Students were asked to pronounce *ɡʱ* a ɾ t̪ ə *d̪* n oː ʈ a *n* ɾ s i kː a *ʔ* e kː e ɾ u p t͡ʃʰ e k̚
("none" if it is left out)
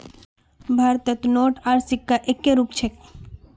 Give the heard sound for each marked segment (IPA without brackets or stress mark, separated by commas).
bʱ, t̪, none, ʔ